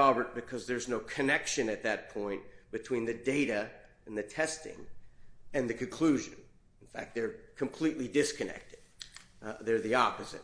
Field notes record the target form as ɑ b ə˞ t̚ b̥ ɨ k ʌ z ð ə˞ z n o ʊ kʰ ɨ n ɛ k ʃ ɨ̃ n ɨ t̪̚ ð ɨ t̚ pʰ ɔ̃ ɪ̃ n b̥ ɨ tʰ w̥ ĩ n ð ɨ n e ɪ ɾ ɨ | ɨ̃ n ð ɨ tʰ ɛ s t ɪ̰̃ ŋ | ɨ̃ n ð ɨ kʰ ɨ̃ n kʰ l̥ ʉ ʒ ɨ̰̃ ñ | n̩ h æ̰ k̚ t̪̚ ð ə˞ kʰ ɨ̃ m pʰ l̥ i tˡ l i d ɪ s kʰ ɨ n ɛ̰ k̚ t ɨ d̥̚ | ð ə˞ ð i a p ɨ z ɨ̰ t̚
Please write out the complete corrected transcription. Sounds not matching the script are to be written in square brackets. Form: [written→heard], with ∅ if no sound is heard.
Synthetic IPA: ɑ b ə˞ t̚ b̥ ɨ [k→kʰ] ʌ z ð ə˞ z n o ʊ kʰ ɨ n ɛ k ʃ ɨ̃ n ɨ t̪̚ ð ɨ t̚ pʰ ɔ̃ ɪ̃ n b̥ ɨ tʰ w̥ ĩ n ð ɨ [n→d] e ɪ ɾ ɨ | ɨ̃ n ð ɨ tʰ ɛ s t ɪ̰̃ ŋ | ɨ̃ n ð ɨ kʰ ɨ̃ n kʰ l̥ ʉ ʒ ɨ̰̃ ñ | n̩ [h→f] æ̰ k̚ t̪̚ ð ə˞ kʰ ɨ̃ m pʰ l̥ i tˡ l i d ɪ s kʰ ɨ n ɛ̰ k̚ t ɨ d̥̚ | ð ə˞ ð i [a→ɑ] p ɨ z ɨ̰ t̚